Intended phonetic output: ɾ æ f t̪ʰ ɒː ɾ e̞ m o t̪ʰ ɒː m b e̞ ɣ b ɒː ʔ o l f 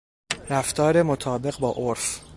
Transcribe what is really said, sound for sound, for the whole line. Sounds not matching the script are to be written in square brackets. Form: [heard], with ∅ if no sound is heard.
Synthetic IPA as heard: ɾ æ f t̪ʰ ɒː ɾ e̞ m o t̪ʰ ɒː [∅] b e̞ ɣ b ɒː ʔ o [ɾ] f